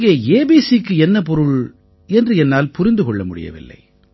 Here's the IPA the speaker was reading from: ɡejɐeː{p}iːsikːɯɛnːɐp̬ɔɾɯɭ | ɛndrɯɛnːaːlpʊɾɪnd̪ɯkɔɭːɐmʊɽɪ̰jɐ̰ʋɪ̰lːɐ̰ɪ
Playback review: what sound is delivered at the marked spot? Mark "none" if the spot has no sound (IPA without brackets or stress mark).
b